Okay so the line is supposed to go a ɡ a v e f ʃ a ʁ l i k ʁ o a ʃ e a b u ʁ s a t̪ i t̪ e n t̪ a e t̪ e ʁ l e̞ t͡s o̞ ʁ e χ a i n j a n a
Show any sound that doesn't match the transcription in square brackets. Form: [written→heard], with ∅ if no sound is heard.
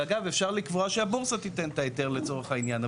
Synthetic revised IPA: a ɡ a v e f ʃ a ʁ l i k [ʁ→v] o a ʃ e a b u ʁ s a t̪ i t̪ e n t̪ a e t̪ e ʁ l e̞ t͡s o̞ ʁ e χ a i n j a n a